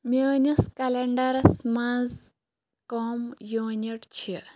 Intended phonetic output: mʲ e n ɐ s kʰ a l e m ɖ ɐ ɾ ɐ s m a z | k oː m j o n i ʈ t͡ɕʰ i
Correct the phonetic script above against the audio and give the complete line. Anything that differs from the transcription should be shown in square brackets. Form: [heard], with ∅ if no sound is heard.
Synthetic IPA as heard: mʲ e n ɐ s [k] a l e [ɳ] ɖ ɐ ɾ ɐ s m a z | k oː m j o n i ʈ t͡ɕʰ i